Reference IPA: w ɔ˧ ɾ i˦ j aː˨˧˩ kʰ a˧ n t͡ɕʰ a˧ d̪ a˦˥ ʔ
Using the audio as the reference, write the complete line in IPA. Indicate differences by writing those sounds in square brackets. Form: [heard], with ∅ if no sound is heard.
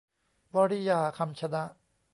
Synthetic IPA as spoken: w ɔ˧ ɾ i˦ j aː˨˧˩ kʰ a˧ [m] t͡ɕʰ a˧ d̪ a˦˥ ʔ